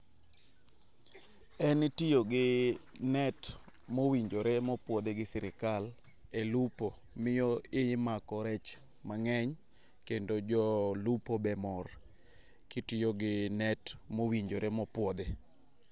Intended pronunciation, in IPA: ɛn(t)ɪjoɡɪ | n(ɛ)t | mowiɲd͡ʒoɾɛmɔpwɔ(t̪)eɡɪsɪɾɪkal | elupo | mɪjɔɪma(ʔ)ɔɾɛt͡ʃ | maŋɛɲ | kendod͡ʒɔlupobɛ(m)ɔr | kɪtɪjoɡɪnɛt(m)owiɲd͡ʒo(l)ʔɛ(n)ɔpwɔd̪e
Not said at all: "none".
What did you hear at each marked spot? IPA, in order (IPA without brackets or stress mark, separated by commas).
t, ɛ, d̪, k, m, m, ɾ, m